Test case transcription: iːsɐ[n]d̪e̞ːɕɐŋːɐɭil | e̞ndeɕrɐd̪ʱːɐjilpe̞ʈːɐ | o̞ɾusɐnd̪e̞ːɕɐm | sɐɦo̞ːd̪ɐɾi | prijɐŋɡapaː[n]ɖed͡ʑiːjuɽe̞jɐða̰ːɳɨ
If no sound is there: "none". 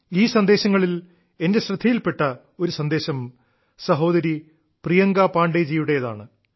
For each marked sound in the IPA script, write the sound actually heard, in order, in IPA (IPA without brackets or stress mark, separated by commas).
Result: n, ɳ